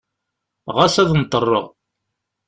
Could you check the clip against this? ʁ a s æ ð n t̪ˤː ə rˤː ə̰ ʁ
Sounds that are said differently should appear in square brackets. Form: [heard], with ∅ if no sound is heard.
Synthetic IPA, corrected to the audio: ʁ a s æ ð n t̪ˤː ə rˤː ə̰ ʁ